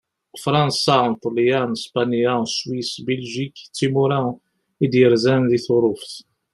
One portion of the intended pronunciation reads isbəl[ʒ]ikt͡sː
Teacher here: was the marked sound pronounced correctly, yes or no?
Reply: yes